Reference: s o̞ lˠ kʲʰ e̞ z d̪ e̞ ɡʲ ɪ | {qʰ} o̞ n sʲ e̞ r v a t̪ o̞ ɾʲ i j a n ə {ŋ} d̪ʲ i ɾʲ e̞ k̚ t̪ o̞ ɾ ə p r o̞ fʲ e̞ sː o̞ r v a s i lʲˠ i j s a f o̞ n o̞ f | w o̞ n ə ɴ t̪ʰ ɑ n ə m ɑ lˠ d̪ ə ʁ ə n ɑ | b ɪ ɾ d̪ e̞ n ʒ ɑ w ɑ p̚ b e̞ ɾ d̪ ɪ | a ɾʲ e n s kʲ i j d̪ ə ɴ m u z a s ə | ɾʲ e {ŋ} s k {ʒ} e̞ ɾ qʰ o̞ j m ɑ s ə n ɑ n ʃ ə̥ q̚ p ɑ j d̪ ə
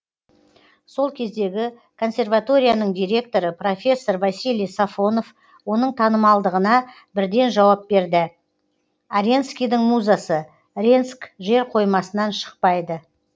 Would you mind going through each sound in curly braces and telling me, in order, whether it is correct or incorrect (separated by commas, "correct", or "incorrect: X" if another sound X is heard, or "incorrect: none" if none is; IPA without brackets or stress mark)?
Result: incorrect: kʰ, incorrect: ɴ, incorrect: n, correct